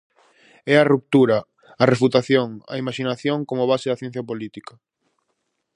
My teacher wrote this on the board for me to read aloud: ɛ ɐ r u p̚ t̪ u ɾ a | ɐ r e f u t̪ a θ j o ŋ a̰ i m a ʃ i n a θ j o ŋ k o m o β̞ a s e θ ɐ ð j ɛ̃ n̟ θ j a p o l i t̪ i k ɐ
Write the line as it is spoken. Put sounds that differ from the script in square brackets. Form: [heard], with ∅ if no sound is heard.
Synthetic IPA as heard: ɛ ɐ r u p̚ t̪ u ɾ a | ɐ r e f u t̪ a θ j o ŋ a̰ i m a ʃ i n a θ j o ŋ k o m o β̞ a s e [ð] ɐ [θ] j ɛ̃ n̟ θ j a p o l i t̪ i k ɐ